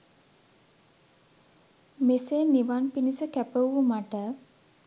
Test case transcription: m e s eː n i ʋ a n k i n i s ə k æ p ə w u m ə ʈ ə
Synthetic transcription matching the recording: m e s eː n i ʋ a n p i n i s ə k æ p ə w u m a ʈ ə